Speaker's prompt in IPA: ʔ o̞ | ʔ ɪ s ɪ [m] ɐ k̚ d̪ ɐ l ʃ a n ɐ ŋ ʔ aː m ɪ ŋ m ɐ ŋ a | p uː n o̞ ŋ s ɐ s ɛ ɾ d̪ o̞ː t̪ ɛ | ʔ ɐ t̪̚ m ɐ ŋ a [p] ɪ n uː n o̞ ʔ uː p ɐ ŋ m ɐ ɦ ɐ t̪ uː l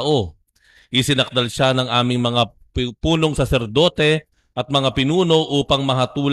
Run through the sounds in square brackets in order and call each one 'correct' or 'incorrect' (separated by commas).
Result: incorrect, correct